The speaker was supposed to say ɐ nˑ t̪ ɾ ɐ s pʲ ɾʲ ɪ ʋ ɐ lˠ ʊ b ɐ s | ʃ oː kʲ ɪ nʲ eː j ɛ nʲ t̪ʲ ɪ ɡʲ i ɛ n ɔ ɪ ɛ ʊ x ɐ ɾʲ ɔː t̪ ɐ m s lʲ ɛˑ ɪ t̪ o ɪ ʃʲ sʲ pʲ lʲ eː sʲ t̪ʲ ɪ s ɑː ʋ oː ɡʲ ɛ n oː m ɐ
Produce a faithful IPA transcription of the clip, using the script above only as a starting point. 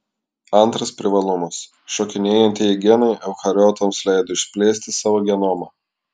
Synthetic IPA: ɐ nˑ t̪ ɾ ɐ s pʲ ɾʲ ɪ ʋ ɐ lˠ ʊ m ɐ s | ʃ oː kʲ ɪ nʲ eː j ɛ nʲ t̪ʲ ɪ ɡʲ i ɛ n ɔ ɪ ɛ ʊ x ɐ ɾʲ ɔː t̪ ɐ m s lʲ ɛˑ ɪ d̪ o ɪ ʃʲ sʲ pʲ lʲ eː sʲ t̪ʲ ɪ s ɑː ʋ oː ɡʲ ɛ n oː m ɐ